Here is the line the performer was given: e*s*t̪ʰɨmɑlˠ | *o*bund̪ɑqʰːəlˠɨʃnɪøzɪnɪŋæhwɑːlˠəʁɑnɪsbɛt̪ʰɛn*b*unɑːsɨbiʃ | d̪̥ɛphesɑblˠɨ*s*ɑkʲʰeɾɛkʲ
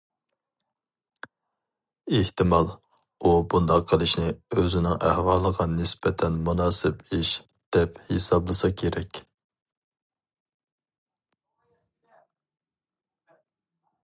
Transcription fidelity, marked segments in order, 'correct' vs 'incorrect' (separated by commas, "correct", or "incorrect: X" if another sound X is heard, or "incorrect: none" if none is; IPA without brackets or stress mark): incorrect: h, incorrect: u, incorrect: m, correct